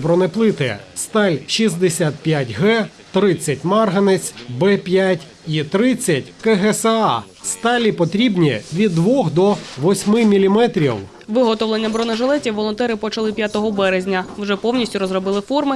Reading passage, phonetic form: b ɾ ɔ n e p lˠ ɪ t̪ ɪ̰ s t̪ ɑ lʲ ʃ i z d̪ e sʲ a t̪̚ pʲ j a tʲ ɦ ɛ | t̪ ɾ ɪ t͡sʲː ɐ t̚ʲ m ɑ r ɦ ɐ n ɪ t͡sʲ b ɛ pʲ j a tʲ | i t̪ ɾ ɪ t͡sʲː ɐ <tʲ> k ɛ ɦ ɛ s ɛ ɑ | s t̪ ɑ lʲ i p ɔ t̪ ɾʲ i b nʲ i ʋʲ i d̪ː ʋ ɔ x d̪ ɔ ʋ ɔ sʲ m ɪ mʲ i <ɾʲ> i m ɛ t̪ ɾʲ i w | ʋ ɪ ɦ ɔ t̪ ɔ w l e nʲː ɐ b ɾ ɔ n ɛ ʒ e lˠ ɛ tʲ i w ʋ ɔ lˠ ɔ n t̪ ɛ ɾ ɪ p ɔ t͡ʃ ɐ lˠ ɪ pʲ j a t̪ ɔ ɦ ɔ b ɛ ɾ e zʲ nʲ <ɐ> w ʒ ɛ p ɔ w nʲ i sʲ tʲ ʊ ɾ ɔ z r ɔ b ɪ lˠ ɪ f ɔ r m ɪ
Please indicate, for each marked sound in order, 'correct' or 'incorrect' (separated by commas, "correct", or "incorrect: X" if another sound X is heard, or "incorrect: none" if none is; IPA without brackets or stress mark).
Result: correct, incorrect: lʲ, correct